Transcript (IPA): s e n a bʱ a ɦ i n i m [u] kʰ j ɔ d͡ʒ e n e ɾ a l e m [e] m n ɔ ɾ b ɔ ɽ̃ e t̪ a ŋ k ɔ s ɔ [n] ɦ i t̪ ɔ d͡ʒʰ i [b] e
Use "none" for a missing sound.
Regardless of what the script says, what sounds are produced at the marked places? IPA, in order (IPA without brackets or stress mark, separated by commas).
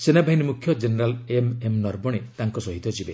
u, e, none, b